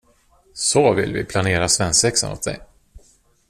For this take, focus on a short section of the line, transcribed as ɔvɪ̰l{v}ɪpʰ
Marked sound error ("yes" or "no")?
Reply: no